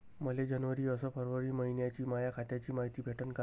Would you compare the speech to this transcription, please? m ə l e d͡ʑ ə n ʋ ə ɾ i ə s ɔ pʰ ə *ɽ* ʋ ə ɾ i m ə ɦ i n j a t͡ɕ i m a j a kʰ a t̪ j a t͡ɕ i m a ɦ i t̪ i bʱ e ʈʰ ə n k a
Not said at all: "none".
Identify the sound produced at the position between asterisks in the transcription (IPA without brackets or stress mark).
ɾ